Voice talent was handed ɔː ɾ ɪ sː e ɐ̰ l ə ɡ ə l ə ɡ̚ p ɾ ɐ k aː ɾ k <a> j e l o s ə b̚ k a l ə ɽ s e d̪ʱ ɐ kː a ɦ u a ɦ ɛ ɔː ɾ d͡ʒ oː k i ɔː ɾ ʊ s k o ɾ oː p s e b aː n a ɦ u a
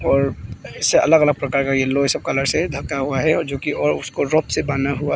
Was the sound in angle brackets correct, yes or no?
yes